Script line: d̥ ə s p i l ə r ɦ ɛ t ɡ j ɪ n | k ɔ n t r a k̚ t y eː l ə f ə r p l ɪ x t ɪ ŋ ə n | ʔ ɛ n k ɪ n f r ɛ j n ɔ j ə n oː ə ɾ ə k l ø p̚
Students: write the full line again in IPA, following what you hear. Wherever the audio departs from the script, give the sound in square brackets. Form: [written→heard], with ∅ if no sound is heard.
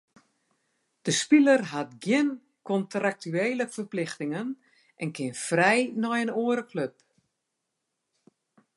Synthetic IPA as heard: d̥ ə s p i l ə r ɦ [ɛ→a] t ɡ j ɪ n | k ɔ n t r a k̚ t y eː l ə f ə r p l ɪ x t ɪ ŋ ə n | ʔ ɛ n k ɪ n f r ɛ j n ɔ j ə n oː ə ɾ ə k l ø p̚